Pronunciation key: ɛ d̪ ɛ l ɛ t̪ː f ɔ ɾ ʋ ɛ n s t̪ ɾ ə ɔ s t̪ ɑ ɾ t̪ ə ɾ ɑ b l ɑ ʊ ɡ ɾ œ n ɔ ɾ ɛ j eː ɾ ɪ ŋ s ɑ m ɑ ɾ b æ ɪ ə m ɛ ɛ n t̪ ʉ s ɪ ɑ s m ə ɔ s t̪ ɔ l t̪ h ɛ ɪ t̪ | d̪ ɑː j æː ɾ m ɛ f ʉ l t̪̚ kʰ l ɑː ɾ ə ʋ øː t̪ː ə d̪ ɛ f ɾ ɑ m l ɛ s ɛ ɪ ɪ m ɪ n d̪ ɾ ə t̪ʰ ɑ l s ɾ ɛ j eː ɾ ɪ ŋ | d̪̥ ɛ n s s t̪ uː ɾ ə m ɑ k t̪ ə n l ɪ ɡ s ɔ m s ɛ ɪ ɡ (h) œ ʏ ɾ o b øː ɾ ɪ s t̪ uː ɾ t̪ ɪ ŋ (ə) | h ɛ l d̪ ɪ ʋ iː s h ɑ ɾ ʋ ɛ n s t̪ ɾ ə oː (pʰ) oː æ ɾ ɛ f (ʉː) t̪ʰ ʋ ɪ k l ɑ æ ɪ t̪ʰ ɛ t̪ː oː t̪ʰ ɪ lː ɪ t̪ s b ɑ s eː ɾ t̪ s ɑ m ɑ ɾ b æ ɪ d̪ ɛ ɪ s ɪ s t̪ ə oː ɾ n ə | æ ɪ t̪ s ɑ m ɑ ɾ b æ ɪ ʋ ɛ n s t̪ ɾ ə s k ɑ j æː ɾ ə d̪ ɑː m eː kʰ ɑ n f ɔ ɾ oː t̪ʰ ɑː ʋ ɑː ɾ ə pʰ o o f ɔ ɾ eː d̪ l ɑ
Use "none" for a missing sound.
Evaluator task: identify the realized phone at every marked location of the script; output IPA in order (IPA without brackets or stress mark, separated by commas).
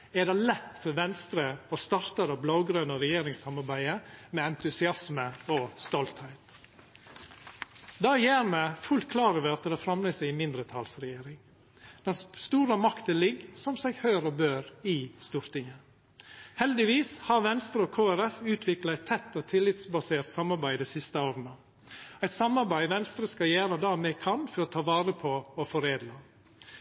h, ə, kʰ, ʉː